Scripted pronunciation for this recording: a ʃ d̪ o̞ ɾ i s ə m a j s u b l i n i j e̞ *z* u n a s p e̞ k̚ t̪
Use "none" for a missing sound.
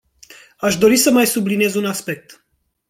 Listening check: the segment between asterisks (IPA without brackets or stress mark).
z